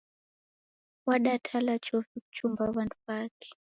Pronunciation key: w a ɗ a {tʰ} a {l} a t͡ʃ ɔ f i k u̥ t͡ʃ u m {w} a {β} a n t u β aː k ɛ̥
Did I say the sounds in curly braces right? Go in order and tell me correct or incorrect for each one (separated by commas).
correct, correct, incorrect, correct